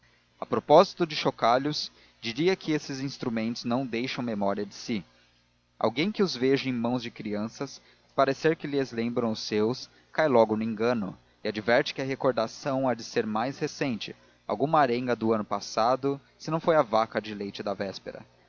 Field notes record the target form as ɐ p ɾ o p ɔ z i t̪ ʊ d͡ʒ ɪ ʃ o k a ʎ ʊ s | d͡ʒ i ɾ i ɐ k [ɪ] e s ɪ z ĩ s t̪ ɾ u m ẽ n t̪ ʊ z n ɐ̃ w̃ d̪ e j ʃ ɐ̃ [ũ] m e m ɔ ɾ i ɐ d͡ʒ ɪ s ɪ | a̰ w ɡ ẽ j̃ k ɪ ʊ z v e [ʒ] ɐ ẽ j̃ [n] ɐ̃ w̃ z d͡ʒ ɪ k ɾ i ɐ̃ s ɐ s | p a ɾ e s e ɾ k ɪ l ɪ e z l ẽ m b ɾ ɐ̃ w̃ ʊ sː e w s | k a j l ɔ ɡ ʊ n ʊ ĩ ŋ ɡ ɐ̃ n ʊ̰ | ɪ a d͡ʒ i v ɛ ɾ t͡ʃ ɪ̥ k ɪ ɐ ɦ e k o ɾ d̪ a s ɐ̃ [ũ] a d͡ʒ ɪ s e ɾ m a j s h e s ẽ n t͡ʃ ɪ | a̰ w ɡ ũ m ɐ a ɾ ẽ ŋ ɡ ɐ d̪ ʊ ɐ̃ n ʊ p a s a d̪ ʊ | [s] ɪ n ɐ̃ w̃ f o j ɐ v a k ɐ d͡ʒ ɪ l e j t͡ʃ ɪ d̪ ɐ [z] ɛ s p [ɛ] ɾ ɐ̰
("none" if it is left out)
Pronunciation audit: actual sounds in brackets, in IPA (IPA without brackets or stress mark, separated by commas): ɪ, w̃, ʒ, m, w̃, s, v, e